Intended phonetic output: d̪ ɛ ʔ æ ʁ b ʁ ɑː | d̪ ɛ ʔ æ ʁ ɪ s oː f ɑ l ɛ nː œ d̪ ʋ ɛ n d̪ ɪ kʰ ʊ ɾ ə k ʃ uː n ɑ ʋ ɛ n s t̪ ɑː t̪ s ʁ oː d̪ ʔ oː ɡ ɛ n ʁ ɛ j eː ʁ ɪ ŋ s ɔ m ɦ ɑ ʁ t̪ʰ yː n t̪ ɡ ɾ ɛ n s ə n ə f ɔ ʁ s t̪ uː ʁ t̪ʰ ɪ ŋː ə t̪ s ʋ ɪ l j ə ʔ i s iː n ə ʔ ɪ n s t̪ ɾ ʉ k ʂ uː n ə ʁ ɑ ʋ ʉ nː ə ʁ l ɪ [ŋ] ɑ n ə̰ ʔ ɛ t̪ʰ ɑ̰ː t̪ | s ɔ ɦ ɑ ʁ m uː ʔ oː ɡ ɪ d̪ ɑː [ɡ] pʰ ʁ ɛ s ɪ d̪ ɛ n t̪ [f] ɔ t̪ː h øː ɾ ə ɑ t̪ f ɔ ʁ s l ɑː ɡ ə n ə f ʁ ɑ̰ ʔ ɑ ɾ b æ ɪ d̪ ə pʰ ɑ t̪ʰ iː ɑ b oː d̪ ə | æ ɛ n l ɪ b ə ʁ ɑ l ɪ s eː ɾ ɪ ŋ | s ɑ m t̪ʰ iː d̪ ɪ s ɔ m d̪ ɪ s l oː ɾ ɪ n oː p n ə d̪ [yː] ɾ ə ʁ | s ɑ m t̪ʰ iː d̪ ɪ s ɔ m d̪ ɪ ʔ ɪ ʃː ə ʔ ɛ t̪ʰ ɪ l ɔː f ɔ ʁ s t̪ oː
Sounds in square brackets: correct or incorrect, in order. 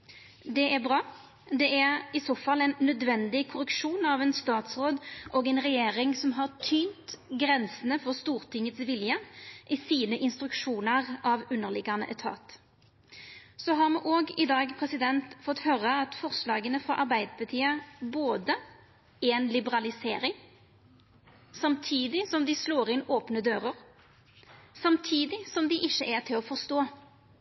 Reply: incorrect: ɡ, correct, correct, incorrect: øː

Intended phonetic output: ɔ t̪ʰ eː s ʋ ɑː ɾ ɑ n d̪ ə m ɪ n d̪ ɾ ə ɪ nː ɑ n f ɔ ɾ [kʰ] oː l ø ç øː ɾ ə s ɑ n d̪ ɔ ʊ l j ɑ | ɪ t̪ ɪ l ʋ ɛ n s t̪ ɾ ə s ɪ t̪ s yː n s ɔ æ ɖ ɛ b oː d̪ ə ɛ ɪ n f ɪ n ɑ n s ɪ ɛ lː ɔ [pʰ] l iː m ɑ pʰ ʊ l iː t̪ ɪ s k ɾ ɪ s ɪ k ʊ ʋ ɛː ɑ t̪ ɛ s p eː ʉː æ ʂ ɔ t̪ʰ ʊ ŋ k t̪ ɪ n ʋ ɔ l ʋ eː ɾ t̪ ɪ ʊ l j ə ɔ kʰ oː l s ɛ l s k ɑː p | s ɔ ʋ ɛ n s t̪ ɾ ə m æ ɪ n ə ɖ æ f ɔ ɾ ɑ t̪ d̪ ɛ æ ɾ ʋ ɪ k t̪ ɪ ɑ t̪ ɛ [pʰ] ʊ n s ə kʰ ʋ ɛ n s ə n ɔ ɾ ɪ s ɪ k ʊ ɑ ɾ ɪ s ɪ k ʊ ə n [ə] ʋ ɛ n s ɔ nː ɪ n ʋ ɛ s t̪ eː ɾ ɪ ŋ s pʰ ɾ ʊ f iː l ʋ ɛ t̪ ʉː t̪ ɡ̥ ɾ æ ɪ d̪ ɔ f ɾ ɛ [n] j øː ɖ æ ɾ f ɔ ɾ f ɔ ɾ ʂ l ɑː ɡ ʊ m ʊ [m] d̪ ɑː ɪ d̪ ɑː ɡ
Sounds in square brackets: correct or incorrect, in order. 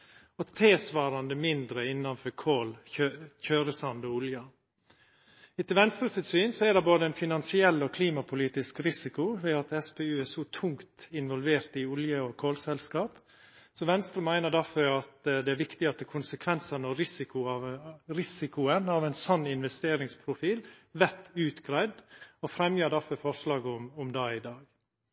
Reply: correct, incorrect: kʰ, incorrect: kʰ, incorrect: ɑ, incorrect: m, correct

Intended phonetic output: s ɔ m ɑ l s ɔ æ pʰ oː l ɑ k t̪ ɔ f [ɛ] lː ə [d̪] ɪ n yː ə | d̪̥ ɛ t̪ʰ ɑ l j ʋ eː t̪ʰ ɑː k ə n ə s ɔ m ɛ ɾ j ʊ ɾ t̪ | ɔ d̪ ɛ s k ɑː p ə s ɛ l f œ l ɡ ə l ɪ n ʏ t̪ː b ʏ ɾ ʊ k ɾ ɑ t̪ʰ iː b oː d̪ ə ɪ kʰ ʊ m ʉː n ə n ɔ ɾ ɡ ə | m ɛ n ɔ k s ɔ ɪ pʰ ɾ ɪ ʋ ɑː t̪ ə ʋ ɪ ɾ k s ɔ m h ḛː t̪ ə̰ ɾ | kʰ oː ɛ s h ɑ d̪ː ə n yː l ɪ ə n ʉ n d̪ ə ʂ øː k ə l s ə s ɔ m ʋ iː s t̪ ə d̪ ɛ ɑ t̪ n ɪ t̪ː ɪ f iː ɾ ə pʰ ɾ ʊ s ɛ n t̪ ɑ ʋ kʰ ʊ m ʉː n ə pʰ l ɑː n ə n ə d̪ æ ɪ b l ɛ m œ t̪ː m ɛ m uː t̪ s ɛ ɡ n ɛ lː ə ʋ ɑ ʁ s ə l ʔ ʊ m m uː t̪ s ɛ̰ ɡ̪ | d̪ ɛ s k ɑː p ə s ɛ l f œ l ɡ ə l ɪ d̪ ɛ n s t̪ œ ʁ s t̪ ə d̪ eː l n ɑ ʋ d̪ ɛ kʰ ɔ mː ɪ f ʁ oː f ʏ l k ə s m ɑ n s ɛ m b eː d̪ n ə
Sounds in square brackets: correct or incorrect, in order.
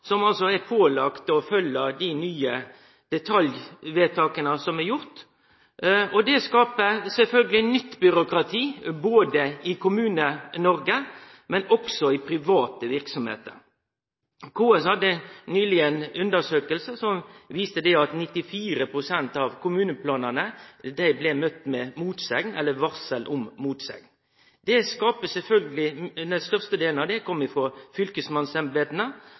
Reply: incorrect: œ, correct

